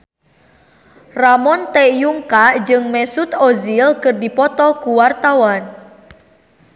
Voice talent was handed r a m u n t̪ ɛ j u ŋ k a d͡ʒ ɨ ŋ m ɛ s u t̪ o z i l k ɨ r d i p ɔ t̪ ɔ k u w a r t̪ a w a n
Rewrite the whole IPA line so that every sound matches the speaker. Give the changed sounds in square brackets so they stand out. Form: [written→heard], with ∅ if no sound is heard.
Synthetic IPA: r a m [u→ɔ] n t̪ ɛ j u ŋ k a d͡ʒ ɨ ŋ m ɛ s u t̪ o z i l k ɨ r d i p ɔ t̪ ɔ k u w a r t̪ a w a n